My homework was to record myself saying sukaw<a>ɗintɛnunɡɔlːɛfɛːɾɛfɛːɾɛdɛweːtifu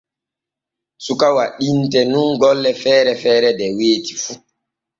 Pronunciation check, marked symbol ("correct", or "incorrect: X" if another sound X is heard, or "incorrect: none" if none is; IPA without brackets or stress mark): correct